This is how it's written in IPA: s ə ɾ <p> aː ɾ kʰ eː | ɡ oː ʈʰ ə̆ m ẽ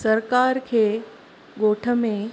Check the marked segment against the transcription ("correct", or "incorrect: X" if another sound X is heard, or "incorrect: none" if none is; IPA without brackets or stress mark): incorrect: k